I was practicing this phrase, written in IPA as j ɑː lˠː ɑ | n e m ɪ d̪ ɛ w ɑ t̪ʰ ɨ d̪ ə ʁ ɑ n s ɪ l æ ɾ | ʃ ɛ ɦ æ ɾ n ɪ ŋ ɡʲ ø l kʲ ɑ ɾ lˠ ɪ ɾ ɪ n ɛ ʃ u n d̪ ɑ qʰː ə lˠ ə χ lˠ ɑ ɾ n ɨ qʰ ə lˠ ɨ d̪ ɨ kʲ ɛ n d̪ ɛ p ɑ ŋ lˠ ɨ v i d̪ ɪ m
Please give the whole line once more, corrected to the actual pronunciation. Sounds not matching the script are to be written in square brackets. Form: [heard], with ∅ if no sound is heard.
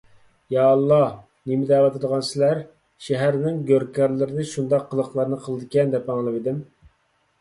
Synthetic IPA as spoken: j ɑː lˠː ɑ | n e m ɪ d̪ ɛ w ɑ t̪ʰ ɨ d̪ ə ʁ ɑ n s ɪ l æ ɾ | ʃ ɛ ɦ æ ɾ n ɪ ŋ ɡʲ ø [ɾ] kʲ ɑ ɾ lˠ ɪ ɾ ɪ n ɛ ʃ u n d̪ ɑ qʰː ə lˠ ə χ lˠ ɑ ɾ n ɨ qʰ ə lˠ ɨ d̪ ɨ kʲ ɛ n d̪ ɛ p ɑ ŋ lˠ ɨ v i d̪ ɪ m